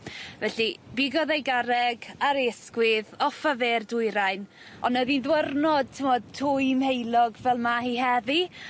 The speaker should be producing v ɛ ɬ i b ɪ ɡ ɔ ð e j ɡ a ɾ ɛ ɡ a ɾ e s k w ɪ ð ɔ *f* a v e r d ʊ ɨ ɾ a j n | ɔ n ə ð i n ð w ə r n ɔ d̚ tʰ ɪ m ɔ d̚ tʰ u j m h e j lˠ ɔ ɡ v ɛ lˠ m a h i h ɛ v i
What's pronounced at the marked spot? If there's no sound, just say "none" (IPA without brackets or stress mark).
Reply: f